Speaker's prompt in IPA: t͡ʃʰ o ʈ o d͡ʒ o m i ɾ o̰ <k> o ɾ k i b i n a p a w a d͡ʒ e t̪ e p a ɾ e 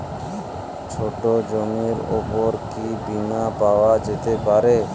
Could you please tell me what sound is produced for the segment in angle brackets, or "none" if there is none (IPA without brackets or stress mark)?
p